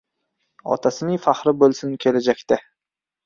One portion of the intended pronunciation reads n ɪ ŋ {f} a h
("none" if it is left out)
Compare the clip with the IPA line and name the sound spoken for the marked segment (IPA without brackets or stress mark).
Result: f